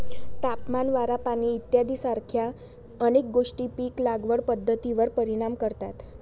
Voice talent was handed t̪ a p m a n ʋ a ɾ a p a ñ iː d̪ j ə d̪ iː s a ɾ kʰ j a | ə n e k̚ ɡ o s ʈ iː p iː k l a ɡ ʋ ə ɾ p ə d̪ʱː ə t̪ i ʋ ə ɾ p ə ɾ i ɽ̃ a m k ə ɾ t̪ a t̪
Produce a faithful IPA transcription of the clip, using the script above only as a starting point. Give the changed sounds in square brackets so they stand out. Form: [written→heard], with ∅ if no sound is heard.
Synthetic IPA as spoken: t̪ a p m a n ʋ a ɾ a p a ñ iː [d̪→t̪] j [ə→a] d̪ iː s a ɾ kʰ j a | ə n e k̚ ɡ o [s→ʂ] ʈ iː p iː k l a ɡ ʋ ə [ɾ→ɽ] p ə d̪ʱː ə t̪ i ʋ ə ɾ p ə ɾ i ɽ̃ a m k ə ɾ t̪ a t̪